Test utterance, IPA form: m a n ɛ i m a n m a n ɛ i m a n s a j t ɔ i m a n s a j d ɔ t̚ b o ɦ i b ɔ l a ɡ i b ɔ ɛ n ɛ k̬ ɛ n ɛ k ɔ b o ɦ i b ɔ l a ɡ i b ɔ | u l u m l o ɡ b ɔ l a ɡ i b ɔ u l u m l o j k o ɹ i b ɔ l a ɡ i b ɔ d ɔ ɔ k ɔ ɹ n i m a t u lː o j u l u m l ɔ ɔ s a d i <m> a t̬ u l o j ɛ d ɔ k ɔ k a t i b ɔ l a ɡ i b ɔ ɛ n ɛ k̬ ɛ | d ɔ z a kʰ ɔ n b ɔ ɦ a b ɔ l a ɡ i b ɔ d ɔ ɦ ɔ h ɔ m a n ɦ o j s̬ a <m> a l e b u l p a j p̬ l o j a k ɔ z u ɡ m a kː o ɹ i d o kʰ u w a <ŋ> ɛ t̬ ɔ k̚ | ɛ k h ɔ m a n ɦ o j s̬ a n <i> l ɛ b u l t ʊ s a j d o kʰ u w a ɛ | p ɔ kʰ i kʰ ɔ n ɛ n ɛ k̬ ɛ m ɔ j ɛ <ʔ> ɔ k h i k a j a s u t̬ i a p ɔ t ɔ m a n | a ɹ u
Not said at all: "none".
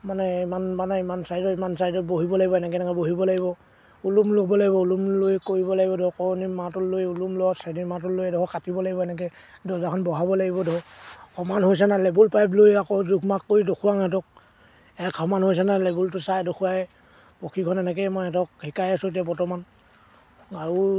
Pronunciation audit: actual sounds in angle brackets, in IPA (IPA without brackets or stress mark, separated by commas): m, n, ŋ, a, t